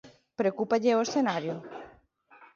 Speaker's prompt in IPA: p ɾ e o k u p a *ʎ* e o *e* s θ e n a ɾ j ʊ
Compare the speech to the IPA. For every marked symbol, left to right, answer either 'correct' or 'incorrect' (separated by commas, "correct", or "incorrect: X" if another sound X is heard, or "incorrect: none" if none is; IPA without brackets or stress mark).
correct, correct